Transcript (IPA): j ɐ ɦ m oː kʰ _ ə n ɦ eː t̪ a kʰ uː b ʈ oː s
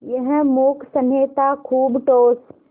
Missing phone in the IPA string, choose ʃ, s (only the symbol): s